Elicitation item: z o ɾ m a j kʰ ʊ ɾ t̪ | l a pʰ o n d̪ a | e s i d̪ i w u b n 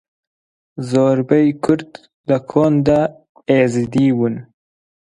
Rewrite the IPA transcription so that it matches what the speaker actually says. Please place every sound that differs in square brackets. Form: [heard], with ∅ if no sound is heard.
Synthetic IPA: z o ɾ [b] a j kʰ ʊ ɾ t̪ | l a [kʰ] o n d̪ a | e [z] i d̪ i w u [∅] n

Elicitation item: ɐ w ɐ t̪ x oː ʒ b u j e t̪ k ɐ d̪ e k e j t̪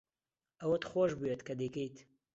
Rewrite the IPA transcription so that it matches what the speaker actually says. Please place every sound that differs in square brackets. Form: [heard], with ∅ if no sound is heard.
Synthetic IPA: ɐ w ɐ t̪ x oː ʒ b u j e t̪ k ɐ d̪ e k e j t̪

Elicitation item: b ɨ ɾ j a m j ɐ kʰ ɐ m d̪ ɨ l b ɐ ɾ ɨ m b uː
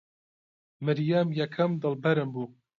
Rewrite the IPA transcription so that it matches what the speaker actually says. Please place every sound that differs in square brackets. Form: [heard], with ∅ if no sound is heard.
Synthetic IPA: [m] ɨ ɾ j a m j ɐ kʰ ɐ m d̪ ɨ l b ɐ ɾ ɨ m b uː

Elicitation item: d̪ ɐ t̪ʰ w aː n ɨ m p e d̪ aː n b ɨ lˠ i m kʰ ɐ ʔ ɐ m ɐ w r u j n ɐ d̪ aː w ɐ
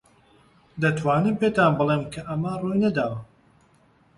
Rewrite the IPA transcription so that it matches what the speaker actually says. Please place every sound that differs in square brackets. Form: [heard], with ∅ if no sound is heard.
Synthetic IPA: d̪ ɐ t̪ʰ w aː n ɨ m p e [t̪] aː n b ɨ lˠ [e] m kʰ ɐ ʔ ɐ m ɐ [∅] r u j n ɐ d̪ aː w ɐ

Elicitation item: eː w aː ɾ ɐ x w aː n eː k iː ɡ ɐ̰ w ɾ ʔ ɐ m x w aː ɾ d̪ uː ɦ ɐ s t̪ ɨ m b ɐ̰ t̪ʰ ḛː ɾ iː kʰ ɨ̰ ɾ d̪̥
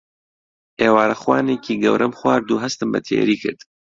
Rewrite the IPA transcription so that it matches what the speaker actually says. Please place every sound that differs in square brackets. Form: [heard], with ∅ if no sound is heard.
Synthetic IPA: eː w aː ɾ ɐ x w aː n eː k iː ɡ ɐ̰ w ɾ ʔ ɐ m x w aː ɾ d̪ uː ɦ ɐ s t̪ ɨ m b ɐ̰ t̪ʰ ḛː ɾ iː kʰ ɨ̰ ɾ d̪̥

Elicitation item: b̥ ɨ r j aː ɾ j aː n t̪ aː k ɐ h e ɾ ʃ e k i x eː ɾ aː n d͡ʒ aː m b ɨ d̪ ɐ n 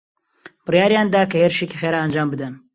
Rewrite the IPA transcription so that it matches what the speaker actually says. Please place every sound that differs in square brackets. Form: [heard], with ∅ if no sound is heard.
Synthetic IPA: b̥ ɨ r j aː ɾ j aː n [d̪] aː k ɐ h e ɾ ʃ e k i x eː ɾ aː n d͡ʒ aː m b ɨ d̪ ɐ n

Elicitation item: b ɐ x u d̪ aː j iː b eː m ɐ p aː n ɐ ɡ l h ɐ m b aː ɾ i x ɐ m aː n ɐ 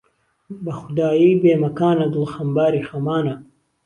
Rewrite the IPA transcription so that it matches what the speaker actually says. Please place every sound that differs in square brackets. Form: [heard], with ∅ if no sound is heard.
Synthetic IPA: b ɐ x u d̪ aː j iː b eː m ɐ [k] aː n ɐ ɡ l [x] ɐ m b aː ɾ i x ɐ m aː n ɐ

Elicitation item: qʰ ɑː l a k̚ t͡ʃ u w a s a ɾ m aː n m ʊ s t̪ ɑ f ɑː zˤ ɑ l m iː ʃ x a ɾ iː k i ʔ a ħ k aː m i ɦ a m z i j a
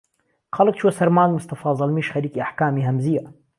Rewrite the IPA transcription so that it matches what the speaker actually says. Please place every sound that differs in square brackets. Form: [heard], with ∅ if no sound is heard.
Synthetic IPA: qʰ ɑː l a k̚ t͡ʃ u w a s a ɾ m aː n m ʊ s t̪ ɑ f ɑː zˤ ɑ l m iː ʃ x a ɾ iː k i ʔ a ħ k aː m i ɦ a m z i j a

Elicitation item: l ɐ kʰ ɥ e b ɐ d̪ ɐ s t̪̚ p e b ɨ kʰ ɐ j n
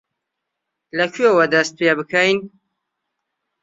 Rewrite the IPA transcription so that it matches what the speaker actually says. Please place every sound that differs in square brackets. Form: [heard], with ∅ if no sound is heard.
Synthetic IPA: l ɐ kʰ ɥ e [w] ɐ d̪ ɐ s t̪̚ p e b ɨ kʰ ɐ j n

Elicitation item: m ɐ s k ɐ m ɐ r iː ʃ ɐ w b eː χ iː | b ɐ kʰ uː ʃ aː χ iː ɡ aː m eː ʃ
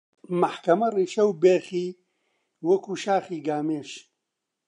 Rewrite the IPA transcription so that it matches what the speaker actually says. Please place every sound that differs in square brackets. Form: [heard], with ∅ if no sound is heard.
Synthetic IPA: m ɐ [ħ] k ɐ m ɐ r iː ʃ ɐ w b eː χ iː | [w] ɐ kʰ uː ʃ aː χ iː ɡ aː m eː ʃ

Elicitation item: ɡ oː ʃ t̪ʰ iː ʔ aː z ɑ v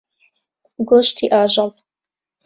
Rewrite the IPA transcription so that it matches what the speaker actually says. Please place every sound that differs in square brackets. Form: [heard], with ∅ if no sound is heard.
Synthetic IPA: ɡ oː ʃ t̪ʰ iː ʔ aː [ʒ] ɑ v

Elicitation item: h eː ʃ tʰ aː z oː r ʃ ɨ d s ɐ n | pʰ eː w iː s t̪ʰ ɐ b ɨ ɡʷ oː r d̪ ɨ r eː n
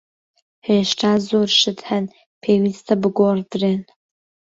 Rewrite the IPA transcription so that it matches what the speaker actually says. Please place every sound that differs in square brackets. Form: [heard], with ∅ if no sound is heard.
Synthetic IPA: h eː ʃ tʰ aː z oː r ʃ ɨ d [ħ] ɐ n | pʰ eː w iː s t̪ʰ ɐ b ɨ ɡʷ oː r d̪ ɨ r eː n

